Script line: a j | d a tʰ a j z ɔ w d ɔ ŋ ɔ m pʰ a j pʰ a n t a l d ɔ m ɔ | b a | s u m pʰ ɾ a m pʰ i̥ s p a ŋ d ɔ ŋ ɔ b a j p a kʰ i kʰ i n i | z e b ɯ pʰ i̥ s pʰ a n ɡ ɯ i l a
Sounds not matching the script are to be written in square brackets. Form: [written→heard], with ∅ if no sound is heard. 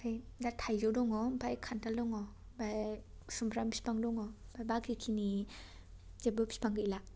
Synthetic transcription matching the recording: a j | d a tʰ a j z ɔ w d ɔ ŋ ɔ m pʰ a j [pʰ→kʰ] a n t a l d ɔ [m→ŋ] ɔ | b a | s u m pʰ ɾ a m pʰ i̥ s p a ŋ d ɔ ŋ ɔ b a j [p→b] a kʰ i kʰ i n i | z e b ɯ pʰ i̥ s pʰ a [n→ŋ] ɡ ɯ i l a